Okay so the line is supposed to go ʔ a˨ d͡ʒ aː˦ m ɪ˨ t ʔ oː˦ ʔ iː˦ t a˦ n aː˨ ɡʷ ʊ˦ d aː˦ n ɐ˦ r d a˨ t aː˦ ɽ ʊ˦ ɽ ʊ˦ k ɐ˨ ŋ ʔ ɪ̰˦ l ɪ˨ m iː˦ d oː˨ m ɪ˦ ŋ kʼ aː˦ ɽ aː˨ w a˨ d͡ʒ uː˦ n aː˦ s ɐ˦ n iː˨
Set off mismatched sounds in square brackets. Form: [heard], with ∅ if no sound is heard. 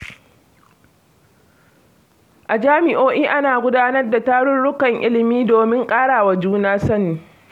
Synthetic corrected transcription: ʔ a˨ d͡ʒ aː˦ m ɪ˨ [∅] ʔ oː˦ ʔ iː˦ [ʔ] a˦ n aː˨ ɡʷ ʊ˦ d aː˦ n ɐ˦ r d a˨ t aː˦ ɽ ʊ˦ ɽ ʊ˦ k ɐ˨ ŋ ʔ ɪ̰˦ l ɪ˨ m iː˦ d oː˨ m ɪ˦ ŋ kʼ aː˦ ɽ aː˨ w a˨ d͡ʒ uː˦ n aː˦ s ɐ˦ n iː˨